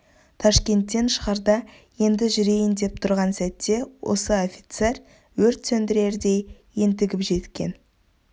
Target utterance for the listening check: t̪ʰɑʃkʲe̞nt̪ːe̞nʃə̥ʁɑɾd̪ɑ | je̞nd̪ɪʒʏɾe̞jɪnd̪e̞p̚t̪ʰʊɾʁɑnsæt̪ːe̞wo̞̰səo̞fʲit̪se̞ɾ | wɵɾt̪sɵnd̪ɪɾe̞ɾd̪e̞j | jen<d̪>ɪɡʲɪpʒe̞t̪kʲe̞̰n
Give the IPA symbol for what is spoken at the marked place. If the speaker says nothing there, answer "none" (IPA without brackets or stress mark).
t̪